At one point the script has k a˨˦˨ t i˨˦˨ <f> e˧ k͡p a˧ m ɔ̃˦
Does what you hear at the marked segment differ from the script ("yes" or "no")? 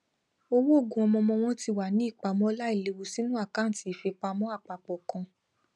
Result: no